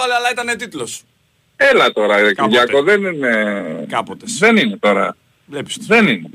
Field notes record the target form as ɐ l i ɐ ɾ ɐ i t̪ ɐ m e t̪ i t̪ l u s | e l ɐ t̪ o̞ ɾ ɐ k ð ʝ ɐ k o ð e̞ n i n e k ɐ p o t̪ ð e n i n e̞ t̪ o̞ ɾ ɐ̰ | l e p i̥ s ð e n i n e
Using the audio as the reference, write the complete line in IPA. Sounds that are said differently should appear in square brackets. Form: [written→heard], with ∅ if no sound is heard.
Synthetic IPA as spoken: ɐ l [i→e] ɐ [ɾ→l] ɐ i t̪ ɐ [m→n] e t̪ i t̪ l [u→o] s | e l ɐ t̪ o̞ ɾ ɐ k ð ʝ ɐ k o ð e̞ n i n e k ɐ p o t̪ ð e n i n e̞ t̪ o̞ ɾ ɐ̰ | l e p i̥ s ð e n i n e